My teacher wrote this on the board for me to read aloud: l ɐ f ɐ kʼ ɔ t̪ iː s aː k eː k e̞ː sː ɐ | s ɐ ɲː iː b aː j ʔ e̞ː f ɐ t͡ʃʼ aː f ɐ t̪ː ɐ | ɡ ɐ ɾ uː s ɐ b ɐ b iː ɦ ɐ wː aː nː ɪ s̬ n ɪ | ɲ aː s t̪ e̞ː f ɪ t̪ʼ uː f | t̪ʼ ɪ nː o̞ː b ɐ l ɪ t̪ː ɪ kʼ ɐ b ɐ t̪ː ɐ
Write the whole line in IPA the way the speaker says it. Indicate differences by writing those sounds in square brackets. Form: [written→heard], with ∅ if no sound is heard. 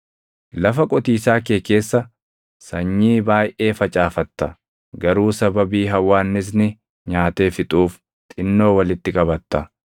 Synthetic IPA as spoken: l ɐ f ɐ kʼ ɔ t̪ iː s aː k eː k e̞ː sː ɐ | s ɐ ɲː iː b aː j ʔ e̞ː f ɐ t͡ʃʼ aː f ɐ t̪ː ɐ | ɡ ɐ ɾ uː s ɐ b ɐ b iː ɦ ɐ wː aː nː ɪ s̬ n ɪ | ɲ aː [s→∅] t̪ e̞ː f ɪ t̪ʼ uː f | t̪ʼ ɪ nː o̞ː [b→w] ɐ l ɪ t̪ː ɪ kʼ ɐ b ɐ t̪ː ɐ